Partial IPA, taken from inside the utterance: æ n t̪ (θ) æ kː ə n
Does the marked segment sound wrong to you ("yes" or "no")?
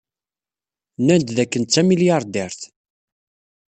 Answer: yes